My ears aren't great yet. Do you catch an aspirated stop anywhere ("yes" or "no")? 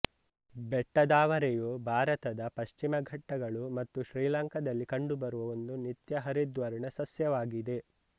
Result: no